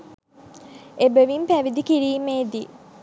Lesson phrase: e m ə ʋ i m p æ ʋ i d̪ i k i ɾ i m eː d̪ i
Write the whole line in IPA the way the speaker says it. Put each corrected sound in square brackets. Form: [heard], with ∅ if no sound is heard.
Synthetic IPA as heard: e [b] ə ʋ i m p æ ʋ i d̪ i k i ɾ [iː] m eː d̪ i